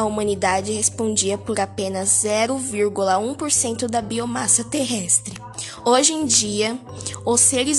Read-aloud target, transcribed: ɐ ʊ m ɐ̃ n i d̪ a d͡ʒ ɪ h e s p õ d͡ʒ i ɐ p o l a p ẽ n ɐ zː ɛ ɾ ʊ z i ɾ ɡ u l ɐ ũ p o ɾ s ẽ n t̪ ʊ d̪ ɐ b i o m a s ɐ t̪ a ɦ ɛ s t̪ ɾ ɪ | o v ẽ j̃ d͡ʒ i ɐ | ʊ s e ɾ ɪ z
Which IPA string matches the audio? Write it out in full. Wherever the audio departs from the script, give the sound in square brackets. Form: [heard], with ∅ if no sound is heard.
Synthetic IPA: ɐ [u] m ɐ̃ n i d̪ a d͡ʒ ɪ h e s p õ d͡ʒ i ɐ p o [ɾ] a p ẽ n ɐ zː ɛ ɾ ʊ [v] i ɾ ɡ u l ɐ ũ p o ɾ s ẽ n t̪ ʊ d̪ ɐ b i o m a s ɐ t̪ [e] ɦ ɛ s t̪ ɾ ɪ | o [ʒ] ẽ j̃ d͡ʒ i ɐ | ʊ s e ɾ ɪ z